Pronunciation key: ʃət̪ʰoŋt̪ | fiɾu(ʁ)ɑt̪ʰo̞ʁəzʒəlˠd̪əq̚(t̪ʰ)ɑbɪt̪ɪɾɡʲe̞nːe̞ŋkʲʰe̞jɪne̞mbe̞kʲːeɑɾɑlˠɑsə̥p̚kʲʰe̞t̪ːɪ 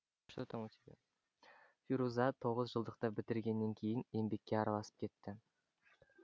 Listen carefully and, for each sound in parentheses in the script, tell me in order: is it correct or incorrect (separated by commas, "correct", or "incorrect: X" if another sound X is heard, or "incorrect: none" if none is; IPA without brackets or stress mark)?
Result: incorrect: z, incorrect: t̪